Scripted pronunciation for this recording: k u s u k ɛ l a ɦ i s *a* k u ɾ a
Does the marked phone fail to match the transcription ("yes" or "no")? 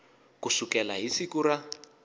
yes